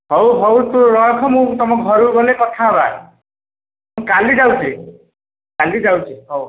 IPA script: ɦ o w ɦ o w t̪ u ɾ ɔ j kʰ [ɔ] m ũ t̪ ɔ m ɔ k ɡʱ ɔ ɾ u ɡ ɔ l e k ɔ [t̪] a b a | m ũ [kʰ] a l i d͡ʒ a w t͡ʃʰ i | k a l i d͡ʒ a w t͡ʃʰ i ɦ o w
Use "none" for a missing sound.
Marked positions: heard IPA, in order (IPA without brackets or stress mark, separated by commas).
ɔ, t̪ʰ, k